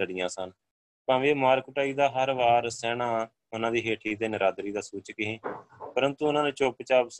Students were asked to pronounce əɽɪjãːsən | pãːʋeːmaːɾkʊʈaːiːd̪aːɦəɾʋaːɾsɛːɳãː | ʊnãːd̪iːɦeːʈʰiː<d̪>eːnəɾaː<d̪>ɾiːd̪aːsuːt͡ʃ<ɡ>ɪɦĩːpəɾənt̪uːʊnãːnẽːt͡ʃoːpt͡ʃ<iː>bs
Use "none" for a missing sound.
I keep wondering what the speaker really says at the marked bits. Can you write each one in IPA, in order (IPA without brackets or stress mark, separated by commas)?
t̪, d̪, k, aː